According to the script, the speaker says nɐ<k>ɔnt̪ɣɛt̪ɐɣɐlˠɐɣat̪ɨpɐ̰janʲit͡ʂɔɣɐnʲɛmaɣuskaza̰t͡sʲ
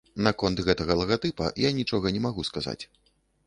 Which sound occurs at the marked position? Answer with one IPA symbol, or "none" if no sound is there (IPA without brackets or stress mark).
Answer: k